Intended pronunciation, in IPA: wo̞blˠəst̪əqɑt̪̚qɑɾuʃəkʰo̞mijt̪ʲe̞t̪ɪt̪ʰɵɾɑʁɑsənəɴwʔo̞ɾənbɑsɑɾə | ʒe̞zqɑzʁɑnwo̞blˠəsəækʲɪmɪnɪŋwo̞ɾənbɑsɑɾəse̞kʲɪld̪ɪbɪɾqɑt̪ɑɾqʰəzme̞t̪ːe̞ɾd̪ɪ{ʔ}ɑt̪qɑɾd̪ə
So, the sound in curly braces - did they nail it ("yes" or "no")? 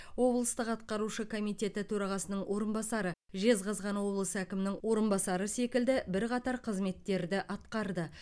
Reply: yes